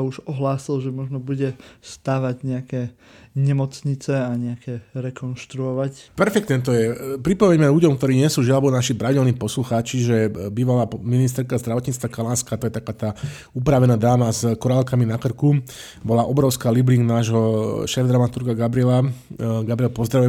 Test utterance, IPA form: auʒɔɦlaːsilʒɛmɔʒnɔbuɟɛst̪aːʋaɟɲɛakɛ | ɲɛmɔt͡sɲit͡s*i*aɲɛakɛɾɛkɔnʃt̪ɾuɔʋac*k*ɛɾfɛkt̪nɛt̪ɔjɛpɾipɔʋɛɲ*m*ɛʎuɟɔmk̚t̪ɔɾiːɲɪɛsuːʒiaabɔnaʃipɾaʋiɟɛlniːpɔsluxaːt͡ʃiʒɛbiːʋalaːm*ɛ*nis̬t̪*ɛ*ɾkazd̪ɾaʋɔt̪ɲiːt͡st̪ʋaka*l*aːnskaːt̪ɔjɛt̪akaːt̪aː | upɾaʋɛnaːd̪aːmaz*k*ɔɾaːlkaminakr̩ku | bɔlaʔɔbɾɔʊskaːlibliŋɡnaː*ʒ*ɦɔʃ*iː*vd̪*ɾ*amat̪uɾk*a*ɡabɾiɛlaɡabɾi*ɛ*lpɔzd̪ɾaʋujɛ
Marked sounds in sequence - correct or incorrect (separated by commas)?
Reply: incorrect, incorrect, correct, incorrect, correct, correct, correct, correct, incorrect, correct, correct, correct